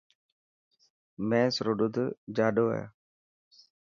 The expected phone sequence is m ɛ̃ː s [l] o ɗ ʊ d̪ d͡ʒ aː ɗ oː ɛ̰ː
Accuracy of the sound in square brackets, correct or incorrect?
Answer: incorrect